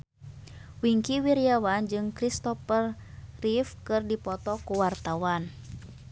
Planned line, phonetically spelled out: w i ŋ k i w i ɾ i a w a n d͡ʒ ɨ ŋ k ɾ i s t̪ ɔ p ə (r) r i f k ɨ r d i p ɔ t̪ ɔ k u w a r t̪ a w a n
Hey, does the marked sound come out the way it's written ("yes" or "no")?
yes